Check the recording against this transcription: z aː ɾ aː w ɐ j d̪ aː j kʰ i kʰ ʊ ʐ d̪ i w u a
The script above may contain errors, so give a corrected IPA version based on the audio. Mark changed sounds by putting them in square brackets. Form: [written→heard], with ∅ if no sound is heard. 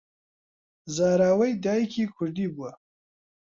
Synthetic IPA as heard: z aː ɾ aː w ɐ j d̪ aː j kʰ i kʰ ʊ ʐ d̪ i [w→b] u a